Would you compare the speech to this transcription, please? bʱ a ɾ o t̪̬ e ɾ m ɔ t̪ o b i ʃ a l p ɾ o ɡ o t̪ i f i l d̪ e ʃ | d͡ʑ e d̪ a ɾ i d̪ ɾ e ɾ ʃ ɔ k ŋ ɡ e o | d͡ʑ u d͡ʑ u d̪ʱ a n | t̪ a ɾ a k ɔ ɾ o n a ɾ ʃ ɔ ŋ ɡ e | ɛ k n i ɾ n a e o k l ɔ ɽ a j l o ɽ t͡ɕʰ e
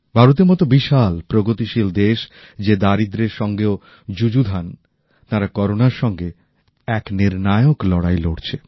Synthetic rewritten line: bʱ a ɾ o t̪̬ e ɾ m ɔ t̪ o b i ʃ a l p ɾ o ɡ o t̪ i ʃ i l d̪ e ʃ | d͡ʑ e d̪ a ɾ i d̪ ɾ e ɾ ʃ ɔ ŋ ɡ e o | d͡ʑ u d͡ʑ u d̪ʱ a n | t̪ a ɾ a k ɔ ɾ o n a ɾ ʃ ɔ ŋ ɡ e | ɛ k n i ɾ n a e o k l ɔ ɽ a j l o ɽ t͡ɕʰ e